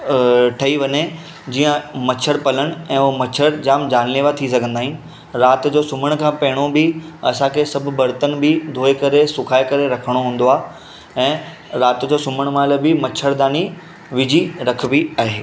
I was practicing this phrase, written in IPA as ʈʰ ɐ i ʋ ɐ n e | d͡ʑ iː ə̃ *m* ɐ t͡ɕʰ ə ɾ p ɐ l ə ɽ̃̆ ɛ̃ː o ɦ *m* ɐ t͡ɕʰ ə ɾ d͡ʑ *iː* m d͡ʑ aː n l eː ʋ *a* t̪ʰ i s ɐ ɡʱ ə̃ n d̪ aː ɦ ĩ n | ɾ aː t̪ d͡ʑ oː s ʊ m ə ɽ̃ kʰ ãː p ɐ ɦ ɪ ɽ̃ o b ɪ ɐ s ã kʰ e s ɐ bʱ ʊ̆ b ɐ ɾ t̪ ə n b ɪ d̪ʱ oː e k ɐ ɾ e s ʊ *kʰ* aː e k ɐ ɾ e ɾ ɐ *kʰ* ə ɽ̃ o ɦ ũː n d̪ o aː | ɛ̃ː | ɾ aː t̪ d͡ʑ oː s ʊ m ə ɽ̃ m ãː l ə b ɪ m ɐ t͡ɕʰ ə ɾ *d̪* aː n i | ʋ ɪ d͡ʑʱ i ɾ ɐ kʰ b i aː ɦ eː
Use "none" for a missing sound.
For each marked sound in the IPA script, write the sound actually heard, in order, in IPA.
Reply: m, m, aː, a, kʰ, kʰ, d̪

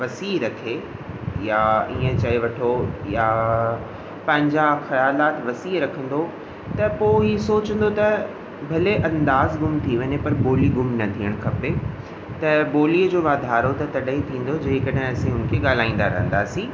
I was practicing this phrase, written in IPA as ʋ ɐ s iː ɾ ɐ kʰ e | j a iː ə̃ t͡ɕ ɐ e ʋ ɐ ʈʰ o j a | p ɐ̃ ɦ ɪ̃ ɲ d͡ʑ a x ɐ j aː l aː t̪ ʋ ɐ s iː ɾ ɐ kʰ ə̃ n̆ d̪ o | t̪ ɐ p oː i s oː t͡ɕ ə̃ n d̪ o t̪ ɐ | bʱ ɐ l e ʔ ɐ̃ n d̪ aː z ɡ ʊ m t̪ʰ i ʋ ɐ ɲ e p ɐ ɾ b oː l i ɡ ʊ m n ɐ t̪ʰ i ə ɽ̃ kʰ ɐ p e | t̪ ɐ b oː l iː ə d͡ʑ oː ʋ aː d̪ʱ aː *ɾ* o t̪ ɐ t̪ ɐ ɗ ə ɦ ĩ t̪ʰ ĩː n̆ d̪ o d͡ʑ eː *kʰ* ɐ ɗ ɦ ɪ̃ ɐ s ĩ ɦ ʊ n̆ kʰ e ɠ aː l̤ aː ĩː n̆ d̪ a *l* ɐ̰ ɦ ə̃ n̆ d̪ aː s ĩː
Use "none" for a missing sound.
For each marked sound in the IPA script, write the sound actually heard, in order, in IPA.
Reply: ɾ, k, ɾ

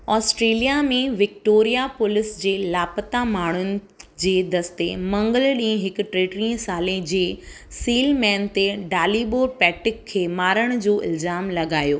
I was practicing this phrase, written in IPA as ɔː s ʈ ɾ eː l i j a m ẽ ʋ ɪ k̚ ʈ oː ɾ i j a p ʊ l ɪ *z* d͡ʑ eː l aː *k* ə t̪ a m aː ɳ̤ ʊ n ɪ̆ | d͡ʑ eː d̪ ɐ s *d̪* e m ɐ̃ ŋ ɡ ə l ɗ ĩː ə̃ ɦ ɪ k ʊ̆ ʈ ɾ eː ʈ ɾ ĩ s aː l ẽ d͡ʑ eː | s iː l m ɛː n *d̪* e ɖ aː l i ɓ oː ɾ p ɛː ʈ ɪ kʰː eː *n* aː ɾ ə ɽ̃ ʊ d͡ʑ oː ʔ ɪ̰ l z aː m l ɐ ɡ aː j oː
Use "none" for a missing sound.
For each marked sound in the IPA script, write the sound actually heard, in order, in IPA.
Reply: s, p, t̪, t̪, m

